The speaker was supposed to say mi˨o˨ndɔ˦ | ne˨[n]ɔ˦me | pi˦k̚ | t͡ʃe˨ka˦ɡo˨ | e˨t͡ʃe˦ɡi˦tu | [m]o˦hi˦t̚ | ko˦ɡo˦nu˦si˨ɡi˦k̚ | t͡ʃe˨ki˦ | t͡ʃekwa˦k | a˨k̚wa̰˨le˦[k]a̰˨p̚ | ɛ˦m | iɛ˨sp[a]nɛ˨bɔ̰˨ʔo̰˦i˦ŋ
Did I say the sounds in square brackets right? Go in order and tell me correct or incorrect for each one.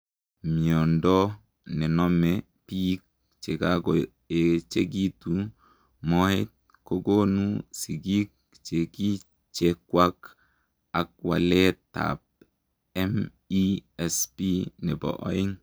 correct, correct, incorrect: t, incorrect: i

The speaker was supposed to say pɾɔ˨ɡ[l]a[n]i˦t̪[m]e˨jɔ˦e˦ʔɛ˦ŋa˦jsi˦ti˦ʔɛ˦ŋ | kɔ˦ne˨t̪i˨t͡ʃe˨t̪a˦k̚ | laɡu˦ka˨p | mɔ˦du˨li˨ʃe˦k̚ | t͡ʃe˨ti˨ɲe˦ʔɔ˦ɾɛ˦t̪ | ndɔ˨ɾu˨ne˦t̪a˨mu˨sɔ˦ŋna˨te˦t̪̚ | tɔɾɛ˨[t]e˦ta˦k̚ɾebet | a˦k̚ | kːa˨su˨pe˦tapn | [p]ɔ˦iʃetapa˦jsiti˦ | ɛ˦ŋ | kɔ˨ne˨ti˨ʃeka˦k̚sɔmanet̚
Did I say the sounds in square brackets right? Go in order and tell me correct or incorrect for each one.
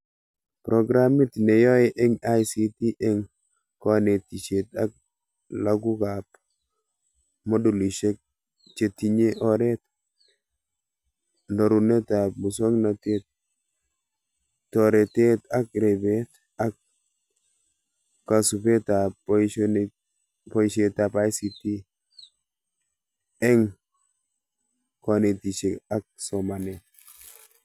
incorrect: ɾ, incorrect: m, incorrect: n, correct, correct

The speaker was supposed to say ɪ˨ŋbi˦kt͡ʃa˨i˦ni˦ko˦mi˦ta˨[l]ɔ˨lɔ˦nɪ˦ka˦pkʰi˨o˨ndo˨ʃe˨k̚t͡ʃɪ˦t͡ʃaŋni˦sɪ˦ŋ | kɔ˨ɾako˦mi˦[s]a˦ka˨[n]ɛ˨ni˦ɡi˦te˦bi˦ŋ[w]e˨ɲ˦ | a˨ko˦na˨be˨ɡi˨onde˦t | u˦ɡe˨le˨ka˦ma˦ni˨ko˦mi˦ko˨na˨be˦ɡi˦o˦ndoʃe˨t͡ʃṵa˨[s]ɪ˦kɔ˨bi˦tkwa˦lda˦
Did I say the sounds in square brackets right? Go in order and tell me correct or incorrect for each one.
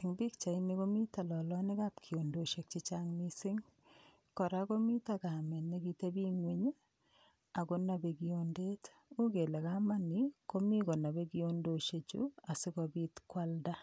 correct, incorrect: t, incorrect: m, correct, correct

